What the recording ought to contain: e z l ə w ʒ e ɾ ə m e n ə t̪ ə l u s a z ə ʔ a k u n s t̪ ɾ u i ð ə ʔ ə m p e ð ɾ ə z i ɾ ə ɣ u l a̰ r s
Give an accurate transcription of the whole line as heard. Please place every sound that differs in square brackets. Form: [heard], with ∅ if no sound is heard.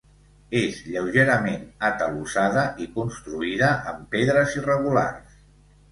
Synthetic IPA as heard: e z [ʎ] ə w ʒ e ɾ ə m e n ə t̪ ə l u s a [ð] ə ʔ [i] k u n s t̪ ɾ u i ð ə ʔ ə m p e ð ɾ ə z i [r] ə ɣ u l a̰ r s